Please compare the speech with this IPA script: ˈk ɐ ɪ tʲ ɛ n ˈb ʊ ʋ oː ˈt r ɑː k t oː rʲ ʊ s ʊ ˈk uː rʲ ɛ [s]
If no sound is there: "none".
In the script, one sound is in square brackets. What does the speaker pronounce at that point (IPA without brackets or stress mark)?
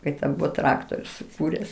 s